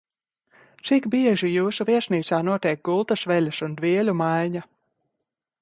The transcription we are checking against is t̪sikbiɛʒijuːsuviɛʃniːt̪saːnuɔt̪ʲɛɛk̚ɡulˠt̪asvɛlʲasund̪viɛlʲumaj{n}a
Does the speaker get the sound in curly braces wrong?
yes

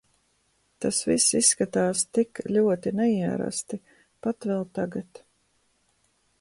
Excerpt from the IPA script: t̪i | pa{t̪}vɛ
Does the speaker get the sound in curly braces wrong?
no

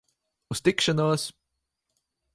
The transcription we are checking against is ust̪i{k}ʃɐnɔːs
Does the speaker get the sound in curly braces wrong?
no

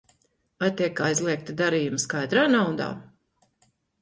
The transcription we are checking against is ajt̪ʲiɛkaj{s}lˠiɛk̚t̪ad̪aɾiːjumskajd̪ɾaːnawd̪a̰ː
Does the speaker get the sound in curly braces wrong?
yes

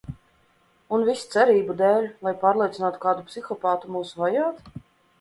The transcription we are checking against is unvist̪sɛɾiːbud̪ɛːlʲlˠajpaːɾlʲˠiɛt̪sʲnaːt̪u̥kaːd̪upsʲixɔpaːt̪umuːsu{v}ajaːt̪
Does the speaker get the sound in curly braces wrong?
no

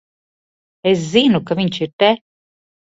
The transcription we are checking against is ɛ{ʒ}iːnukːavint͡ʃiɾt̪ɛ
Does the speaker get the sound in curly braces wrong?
yes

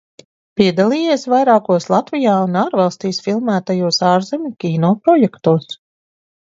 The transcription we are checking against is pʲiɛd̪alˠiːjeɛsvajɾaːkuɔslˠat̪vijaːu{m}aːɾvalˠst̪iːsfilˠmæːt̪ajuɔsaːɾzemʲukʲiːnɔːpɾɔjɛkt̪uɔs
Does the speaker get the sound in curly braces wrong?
yes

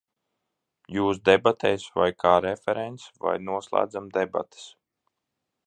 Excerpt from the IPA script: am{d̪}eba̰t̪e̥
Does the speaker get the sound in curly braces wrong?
no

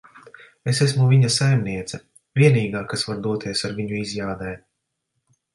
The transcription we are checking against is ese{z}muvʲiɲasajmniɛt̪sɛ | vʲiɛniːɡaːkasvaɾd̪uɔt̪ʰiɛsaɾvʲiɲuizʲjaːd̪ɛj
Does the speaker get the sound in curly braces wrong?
yes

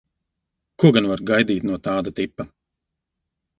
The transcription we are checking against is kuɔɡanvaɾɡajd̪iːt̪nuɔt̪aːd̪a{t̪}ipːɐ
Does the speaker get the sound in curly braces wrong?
no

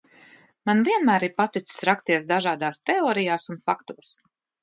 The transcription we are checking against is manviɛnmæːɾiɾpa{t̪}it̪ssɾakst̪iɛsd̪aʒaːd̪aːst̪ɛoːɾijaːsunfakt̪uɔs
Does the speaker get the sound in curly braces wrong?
no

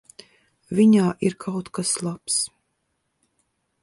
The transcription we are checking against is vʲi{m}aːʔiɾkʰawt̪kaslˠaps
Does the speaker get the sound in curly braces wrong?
yes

